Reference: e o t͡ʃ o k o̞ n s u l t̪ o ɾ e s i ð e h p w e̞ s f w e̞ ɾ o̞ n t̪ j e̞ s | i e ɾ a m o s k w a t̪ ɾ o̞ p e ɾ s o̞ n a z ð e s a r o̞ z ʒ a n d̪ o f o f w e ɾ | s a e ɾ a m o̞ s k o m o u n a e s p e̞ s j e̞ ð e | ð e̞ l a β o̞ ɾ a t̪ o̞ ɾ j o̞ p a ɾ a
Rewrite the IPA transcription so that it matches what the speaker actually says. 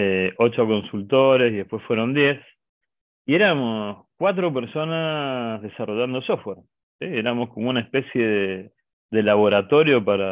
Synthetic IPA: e o t͡ʃ o k o̞ n s u l t̪ o ɾ e s i ð e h p w e̞ s f w e̞ ɾ o̞ n d̪ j e̞ s | i e ɾ a m o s k w a t̪ ɾ o̞ p e ɾ s o̞ n a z ð e s a r o̞ ʒ a n d̪ o s o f w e ɾ | s i e ɾ a m o̞ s k o m o u n a e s p e̞ s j e̞ ð e | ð e̞ l a β o̞ ɾ a t̪ o̞ ɾ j o̞ p a ɾ a